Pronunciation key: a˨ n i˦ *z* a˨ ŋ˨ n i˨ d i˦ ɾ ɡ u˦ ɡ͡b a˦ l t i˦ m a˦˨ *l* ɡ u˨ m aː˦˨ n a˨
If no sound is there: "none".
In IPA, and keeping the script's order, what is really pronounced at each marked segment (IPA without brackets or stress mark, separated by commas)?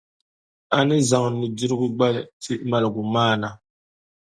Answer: z, l